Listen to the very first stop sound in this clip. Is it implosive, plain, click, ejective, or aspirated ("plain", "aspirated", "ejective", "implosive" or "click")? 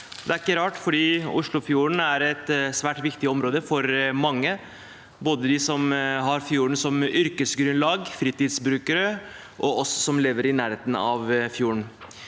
plain